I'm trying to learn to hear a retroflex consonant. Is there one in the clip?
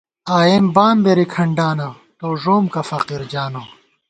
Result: yes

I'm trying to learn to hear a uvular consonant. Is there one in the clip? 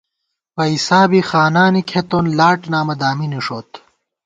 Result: no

